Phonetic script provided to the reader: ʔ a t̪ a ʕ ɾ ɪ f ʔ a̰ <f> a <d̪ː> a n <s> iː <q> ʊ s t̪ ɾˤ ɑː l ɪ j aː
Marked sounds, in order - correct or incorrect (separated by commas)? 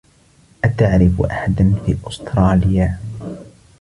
incorrect, incorrect, incorrect, incorrect